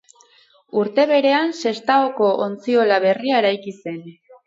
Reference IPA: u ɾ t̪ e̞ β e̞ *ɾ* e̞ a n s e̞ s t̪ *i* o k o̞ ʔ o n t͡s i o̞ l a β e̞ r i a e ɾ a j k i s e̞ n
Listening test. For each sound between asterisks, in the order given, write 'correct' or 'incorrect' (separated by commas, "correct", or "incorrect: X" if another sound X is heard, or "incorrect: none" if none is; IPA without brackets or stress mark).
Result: correct, incorrect: a